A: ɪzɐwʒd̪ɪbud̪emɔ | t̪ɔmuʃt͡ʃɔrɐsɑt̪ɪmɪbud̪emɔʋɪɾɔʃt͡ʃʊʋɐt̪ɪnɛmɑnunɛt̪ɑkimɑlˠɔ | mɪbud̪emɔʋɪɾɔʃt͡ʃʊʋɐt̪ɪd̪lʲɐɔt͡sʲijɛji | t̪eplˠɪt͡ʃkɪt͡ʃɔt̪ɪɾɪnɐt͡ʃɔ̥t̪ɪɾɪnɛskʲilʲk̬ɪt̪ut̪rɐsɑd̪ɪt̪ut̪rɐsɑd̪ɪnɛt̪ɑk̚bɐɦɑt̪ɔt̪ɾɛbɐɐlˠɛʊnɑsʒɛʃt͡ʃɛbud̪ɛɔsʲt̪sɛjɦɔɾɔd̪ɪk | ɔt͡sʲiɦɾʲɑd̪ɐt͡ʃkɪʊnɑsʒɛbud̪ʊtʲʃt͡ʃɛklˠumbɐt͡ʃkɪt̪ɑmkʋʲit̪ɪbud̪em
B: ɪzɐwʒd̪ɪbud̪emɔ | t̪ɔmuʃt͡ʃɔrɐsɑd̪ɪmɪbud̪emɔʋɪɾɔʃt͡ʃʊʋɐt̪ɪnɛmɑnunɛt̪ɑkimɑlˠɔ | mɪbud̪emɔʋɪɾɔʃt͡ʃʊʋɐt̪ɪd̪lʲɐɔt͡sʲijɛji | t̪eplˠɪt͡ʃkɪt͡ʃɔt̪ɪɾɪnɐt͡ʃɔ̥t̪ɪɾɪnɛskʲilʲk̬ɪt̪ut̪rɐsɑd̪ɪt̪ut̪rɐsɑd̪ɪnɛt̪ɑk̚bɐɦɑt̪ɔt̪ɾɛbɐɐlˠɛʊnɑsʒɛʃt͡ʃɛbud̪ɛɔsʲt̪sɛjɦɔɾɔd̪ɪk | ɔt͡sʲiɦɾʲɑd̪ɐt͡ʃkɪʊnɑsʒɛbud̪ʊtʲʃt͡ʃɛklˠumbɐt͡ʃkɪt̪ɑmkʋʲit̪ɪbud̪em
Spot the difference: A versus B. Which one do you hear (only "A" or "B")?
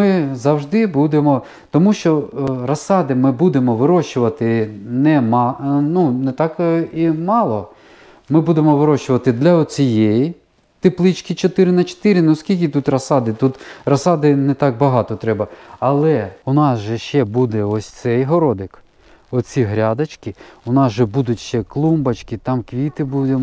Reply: B